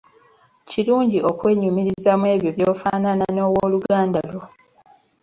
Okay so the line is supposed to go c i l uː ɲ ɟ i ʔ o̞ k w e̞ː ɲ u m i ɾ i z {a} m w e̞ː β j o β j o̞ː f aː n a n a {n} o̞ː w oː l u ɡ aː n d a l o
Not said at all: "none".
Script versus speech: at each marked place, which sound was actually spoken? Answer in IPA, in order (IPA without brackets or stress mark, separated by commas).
a, n